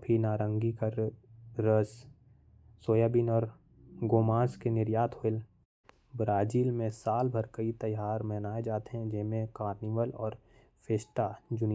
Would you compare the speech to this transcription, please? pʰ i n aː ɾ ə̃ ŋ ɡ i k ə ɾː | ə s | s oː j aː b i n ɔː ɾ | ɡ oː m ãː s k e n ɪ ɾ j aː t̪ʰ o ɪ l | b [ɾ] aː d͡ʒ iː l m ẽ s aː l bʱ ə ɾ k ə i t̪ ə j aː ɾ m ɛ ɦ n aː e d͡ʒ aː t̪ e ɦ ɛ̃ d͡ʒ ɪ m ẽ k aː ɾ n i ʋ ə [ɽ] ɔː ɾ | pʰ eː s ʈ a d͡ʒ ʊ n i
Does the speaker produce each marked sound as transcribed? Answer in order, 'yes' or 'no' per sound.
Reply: yes, no

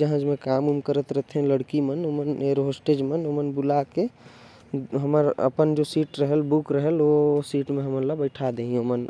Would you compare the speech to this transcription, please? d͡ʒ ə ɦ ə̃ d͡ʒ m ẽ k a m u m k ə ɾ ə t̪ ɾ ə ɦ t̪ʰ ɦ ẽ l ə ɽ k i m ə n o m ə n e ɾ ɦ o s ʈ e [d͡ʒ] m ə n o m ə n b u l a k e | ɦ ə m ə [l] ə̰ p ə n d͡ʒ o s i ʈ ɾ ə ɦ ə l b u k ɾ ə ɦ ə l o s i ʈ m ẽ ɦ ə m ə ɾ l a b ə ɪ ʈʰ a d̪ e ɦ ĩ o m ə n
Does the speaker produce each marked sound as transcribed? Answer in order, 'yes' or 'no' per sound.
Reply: yes, no

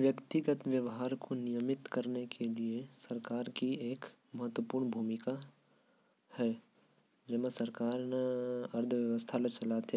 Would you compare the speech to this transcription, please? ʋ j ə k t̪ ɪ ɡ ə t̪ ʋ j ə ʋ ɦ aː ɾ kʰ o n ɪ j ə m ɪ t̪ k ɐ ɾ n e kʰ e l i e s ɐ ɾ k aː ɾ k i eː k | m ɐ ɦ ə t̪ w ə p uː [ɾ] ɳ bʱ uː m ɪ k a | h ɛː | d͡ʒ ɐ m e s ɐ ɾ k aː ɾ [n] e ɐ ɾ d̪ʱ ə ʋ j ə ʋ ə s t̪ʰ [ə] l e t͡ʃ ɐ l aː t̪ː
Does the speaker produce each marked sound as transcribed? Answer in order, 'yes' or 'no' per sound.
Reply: yes, yes, no

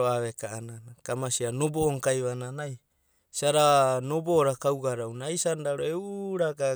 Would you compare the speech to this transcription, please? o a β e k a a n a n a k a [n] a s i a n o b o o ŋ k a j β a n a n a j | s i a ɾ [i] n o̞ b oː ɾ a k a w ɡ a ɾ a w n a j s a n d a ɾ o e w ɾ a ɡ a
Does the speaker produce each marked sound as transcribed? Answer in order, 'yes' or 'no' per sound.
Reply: no, no

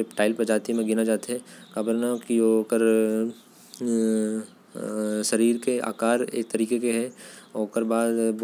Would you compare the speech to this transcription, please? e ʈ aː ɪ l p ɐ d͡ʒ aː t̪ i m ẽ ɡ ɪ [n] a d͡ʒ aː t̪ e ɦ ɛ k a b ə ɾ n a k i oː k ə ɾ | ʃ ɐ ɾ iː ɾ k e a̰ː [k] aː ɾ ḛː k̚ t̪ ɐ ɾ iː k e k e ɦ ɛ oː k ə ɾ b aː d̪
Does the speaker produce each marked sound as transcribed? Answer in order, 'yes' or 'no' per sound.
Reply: yes, yes

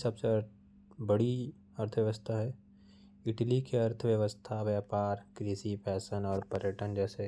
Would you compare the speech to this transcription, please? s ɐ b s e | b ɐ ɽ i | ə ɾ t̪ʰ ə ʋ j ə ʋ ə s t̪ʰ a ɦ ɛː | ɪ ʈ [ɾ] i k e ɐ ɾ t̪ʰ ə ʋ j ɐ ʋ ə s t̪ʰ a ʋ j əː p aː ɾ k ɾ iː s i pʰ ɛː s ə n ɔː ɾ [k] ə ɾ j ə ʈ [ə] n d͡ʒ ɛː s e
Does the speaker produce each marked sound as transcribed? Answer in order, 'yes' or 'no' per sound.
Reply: no, no, yes

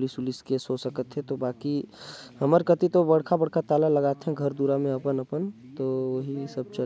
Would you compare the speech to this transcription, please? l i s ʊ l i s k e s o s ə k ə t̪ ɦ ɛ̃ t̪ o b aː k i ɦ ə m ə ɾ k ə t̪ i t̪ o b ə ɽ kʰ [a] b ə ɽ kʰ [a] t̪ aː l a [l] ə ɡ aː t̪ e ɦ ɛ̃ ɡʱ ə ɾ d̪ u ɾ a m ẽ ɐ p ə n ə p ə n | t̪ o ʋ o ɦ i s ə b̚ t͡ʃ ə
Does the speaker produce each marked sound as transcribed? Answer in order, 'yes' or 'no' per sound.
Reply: yes, yes, yes

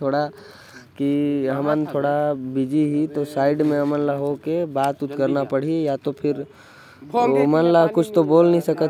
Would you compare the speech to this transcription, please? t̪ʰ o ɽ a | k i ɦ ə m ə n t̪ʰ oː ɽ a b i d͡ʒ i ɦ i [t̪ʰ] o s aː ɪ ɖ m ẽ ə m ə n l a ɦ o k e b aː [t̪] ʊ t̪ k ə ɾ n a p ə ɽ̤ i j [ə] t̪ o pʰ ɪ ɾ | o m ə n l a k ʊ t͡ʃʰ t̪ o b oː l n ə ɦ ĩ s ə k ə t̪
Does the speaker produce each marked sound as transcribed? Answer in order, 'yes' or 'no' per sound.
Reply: no, yes, no

